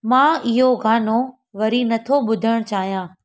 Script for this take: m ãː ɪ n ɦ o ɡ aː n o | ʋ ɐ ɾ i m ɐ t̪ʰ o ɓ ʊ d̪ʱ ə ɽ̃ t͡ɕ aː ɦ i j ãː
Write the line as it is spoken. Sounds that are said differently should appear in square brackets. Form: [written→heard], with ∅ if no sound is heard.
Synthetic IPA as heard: m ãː ɪ [n→∅] ɦ o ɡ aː n o | ʋ ɐ ɾ i [m→n] ɐ t̪ʰ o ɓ ʊ d̪ʱ ə ɽ̃ t͡ɕ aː ɦ i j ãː